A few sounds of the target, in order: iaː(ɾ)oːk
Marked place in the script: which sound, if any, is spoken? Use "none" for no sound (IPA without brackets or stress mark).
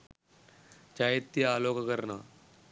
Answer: l